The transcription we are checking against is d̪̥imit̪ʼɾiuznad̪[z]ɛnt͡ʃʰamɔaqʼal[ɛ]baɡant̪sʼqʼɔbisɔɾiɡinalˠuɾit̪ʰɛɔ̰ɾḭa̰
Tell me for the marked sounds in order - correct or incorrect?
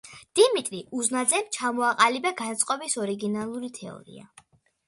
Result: correct, incorrect: i

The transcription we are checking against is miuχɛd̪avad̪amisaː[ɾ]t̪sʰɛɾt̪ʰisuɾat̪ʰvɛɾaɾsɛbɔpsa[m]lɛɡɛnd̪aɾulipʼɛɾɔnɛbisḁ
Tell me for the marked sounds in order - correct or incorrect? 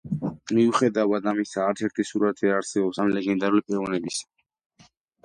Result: correct, correct

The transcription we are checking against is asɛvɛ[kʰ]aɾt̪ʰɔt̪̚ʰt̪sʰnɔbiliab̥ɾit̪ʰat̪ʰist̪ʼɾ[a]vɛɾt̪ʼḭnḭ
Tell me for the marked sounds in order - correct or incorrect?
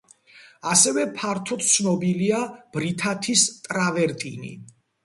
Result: incorrect: pʰ, correct

